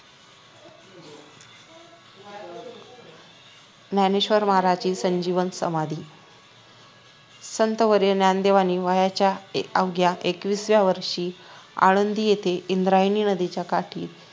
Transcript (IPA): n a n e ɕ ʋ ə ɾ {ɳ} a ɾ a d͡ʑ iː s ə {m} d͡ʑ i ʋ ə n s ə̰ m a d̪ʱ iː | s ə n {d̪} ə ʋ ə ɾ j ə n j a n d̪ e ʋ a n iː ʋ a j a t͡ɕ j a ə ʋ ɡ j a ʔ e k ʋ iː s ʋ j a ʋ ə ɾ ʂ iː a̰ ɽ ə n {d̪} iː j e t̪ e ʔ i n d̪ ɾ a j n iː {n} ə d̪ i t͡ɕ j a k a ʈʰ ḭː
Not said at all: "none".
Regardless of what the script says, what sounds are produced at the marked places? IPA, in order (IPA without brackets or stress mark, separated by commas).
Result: m, ɲ, t̪, d̪, n